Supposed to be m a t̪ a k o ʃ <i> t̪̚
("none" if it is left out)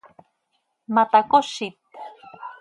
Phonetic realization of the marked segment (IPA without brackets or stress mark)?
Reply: i